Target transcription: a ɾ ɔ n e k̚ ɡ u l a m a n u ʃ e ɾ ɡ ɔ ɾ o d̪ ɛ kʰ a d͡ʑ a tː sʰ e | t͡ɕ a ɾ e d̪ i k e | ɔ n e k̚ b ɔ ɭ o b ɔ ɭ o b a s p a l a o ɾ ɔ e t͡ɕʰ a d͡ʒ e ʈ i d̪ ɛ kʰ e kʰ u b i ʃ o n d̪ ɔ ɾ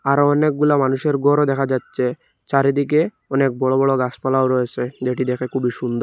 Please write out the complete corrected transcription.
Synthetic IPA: a ɾ ɔ n e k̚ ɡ u l a m a n u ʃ e ɾ ɡ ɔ ɾ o d̪ ɛ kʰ a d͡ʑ a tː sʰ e | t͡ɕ a ɾ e d̪ i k e | ɔ n e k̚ b ɔ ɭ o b ɔ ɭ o ɡ a s p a l a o ɾ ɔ e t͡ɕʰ e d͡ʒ e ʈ i d̪ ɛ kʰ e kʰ u b i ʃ u n d̪ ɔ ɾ